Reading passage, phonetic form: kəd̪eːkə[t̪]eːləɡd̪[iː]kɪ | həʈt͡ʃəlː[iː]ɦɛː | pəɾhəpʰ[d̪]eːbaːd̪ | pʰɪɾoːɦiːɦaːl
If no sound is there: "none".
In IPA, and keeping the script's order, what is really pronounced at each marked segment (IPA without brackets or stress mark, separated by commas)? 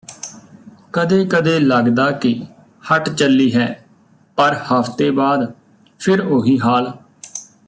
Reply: d̪, aː, iː, t̪